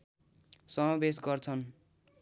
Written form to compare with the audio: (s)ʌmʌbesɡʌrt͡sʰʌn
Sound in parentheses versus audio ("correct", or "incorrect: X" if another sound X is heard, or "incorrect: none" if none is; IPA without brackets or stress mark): correct